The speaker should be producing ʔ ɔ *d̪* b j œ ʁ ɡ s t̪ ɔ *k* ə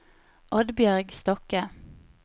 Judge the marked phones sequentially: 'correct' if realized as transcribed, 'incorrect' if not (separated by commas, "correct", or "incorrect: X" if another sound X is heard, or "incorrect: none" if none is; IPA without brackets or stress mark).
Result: correct, correct